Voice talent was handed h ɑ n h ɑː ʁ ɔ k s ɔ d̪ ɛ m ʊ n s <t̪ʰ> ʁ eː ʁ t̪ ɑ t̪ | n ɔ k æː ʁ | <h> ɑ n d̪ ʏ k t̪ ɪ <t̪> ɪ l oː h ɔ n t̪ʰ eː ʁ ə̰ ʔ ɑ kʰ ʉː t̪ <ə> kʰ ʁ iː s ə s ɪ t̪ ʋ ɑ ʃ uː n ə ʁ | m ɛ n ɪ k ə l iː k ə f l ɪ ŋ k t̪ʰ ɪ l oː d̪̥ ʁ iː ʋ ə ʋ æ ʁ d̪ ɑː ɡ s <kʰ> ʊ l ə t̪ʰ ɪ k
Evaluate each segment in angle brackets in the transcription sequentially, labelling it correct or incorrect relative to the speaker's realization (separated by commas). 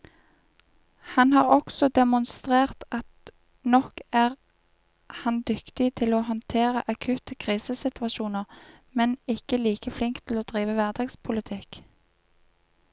incorrect, correct, incorrect, correct, incorrect